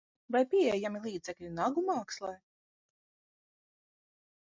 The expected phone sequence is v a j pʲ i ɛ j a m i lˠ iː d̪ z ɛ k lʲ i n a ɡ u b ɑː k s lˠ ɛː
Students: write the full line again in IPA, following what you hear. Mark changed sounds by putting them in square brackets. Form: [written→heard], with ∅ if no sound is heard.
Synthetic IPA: v a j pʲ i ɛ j a m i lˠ iː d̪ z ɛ k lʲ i n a ɡ u [b→m] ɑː k s lˠ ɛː